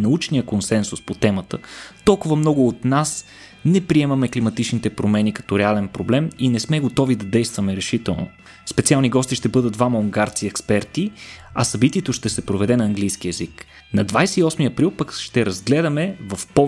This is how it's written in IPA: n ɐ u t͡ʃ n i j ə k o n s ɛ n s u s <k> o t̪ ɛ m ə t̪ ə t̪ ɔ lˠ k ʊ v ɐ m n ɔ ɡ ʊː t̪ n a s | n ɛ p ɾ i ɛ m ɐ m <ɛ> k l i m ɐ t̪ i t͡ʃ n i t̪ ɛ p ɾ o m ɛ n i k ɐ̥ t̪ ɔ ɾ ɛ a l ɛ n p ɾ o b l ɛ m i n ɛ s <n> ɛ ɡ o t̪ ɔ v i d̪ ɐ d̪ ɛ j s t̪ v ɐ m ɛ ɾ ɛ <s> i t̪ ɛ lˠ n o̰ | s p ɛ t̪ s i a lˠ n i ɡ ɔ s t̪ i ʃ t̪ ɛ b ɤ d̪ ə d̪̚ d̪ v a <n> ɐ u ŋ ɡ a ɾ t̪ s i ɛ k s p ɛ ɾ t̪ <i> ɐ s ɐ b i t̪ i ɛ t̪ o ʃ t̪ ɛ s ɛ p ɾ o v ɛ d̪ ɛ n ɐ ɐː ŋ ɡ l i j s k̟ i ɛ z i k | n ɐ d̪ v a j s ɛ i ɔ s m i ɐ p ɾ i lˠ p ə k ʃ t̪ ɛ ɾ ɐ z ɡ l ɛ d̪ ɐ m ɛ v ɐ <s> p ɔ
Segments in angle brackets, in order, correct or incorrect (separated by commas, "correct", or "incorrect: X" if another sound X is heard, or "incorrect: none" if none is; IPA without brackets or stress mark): incorrect: p, correct, incorrect: m, incorrect: ʃ, incorrect: m, correct, incorrect: f